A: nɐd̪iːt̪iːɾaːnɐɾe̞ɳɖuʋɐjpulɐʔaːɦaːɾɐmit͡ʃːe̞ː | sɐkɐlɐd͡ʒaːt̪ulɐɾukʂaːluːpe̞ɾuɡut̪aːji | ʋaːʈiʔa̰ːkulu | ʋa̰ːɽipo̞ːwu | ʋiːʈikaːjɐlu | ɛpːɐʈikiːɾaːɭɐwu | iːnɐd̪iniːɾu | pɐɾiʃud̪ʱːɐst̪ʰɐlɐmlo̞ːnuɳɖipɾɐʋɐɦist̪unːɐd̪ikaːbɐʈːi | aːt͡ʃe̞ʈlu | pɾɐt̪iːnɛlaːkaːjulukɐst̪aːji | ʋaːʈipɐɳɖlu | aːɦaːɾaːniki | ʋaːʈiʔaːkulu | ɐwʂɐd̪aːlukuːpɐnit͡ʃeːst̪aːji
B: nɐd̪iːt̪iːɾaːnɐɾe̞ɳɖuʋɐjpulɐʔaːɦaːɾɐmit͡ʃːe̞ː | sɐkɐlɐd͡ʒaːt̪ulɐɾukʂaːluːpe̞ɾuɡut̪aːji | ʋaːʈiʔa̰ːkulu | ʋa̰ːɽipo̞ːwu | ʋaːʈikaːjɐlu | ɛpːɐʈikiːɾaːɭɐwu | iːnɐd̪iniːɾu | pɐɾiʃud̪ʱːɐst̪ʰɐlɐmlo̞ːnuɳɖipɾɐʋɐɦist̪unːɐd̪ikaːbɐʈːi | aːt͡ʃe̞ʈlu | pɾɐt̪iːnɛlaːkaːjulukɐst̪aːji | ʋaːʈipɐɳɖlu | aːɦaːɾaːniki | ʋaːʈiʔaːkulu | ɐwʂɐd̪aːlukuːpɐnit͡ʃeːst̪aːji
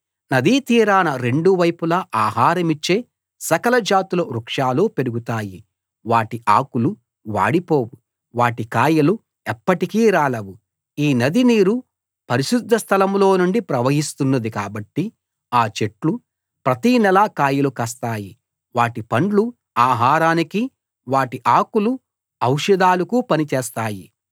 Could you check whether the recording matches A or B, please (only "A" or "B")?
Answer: B